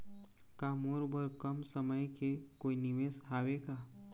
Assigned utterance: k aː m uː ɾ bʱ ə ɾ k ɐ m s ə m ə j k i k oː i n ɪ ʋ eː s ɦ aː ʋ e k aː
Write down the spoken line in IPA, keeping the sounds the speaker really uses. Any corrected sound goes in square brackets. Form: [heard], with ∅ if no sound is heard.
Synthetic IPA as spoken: k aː m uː ɾ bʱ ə ɾ k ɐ m s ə m ə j k [e] k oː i n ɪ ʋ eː s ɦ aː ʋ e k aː